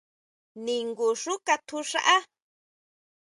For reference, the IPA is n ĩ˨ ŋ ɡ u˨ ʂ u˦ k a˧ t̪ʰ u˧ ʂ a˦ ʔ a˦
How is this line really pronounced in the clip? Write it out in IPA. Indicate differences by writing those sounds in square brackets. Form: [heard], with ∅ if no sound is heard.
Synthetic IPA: n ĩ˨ ŋ ɡ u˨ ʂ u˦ k a˧ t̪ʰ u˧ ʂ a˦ ʔ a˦